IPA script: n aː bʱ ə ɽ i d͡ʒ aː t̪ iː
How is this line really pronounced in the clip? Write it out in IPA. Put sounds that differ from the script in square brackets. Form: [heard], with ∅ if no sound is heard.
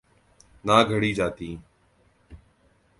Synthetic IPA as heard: n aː [ɡʱ] ə ɽ [iː] d͡ʒ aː t̪ iː